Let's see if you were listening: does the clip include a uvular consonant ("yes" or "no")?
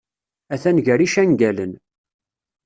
no